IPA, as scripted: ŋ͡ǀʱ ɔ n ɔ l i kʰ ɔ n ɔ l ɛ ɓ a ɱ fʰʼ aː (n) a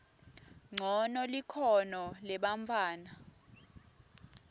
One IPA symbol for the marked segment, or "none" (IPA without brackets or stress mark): n